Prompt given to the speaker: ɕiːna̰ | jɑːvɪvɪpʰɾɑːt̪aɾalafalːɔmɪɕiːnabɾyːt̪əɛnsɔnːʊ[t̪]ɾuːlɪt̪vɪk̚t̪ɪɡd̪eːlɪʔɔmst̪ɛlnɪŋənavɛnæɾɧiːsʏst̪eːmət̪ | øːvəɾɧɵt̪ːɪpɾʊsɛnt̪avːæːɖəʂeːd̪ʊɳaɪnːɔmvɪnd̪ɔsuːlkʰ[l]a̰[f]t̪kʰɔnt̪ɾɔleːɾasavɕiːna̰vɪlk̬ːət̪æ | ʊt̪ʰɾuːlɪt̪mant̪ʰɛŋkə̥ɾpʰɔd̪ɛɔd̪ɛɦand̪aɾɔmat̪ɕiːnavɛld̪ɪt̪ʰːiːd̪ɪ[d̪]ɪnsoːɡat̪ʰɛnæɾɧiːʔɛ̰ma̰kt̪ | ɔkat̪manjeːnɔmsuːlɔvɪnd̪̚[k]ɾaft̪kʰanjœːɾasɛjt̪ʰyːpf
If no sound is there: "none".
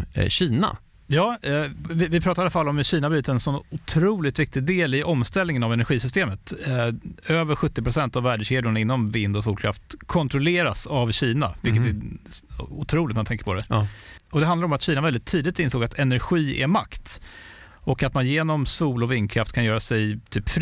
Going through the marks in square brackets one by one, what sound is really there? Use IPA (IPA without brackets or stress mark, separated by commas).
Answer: t̪ʰ, ɾ, f, t̪, kʰ